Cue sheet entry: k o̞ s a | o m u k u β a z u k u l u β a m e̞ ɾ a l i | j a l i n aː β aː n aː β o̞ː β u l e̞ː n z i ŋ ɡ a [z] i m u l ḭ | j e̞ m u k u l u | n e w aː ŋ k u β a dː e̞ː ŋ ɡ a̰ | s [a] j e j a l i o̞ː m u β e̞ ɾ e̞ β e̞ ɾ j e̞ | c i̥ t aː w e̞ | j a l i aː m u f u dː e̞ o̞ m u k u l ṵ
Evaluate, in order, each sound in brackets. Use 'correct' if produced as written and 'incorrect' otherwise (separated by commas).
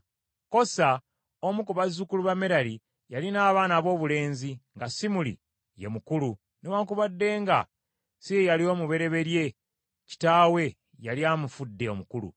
incorrect, incorrect